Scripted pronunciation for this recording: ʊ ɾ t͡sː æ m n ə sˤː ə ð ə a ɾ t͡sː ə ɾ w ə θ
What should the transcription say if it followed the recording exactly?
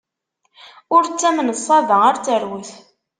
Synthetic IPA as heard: ʊ ɾ t͡sː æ m n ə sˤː ɑ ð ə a ɾ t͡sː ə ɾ w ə θ